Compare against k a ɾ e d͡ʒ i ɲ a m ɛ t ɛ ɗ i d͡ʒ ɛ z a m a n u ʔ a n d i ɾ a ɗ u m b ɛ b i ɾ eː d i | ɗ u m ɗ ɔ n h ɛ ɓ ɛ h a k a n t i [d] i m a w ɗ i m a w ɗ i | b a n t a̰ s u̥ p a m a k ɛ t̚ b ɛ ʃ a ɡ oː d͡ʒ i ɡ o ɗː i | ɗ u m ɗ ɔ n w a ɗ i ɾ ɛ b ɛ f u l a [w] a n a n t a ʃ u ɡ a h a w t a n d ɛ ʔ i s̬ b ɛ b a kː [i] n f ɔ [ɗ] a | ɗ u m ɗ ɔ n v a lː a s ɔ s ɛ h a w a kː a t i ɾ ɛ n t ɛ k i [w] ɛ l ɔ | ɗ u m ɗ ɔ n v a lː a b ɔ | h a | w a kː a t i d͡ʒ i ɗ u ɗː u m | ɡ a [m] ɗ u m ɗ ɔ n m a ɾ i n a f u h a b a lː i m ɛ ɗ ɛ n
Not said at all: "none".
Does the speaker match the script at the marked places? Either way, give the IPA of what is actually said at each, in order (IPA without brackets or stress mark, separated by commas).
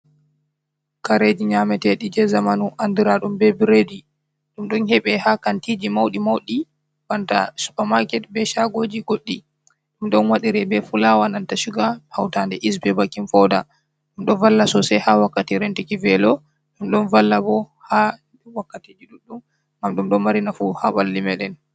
d͡ʒ, w, i, d, v, m